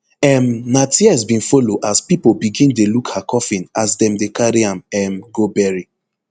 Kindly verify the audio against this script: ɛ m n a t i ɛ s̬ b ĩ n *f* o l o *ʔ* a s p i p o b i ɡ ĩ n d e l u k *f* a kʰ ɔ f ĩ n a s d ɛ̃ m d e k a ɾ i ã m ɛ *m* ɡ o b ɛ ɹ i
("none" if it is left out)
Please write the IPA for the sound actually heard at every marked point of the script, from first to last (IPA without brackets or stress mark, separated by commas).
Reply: f, ʔ, h, m